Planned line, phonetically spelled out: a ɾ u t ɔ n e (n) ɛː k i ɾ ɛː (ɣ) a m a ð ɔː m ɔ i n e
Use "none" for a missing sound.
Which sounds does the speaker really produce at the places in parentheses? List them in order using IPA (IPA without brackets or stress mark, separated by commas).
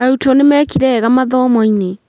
m, ɣ